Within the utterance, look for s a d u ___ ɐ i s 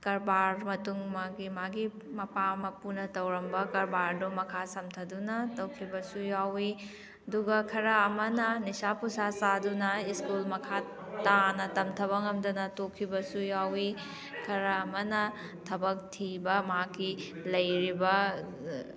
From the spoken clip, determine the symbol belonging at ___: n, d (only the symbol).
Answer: n